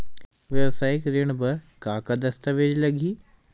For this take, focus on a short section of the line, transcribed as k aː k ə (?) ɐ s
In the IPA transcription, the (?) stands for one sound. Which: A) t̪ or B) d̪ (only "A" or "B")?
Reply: B